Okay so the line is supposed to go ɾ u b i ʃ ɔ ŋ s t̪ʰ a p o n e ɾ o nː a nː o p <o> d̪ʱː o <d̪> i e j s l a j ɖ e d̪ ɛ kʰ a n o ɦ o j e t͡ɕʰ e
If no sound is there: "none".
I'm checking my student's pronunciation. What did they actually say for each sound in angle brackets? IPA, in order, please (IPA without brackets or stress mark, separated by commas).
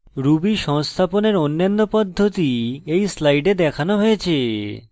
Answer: ɔ, t̪